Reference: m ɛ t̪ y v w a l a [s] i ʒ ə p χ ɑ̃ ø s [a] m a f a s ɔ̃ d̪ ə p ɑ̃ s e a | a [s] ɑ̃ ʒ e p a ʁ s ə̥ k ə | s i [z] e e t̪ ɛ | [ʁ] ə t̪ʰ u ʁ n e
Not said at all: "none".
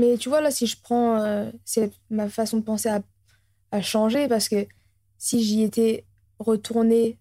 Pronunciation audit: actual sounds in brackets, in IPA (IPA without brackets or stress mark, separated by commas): s, ɛ, ʃ, ʒ, ʁ